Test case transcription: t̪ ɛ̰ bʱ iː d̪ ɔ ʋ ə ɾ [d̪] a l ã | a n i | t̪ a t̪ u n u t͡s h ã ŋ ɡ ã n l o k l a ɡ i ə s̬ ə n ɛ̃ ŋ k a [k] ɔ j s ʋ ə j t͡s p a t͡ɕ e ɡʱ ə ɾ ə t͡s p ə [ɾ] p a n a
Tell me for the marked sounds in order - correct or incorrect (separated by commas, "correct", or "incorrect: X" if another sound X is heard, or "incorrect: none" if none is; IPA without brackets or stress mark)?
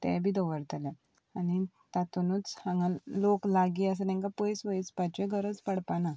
incorrect: t̪, incorrect: p, incorrect: ɽ